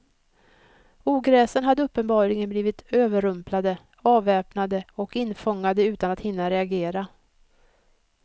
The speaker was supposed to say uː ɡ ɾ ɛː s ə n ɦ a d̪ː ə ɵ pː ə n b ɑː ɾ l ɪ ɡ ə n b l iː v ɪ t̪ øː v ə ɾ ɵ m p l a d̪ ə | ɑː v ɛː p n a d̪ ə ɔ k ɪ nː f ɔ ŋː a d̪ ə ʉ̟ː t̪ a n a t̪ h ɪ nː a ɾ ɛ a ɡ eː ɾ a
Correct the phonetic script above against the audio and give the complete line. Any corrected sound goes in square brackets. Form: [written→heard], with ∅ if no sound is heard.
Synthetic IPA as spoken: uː ɡ ɾ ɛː s ə n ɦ a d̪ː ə ɵ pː ə n b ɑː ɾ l ɪ ɡ ə n b l iː v ɪ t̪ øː v ə ɾ ɵ m p l a d̪ ə | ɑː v ɛː p n a d̪ ə ɔ k ɪ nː f ɔ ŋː a d̪ ə ʉ̟ː t̪ a n a t̪ h ɪ nː a ɾ ɛ a ɡ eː ɾ a